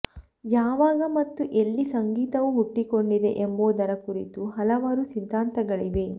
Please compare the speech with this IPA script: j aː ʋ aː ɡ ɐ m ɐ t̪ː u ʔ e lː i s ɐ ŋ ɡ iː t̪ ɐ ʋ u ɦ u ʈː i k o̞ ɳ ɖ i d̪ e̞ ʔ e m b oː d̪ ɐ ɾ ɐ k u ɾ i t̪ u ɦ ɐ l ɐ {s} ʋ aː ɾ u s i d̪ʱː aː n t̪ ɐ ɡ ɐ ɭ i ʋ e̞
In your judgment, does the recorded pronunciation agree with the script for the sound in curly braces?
no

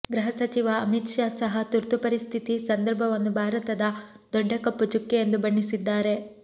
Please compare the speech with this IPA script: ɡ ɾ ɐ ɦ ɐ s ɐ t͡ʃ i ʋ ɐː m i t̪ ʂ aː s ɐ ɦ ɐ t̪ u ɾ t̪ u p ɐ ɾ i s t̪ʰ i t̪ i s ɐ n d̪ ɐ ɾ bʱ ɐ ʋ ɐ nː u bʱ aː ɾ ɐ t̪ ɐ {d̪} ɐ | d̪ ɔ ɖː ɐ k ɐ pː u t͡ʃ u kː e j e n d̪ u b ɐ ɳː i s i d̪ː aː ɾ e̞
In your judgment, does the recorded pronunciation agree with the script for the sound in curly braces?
yes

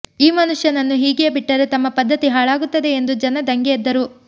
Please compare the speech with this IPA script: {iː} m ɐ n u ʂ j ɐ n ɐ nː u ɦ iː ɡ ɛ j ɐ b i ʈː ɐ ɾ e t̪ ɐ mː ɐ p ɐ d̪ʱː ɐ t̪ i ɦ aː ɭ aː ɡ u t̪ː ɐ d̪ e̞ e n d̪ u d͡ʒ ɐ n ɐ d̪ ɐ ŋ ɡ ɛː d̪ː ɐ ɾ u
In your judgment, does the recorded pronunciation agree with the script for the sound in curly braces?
yes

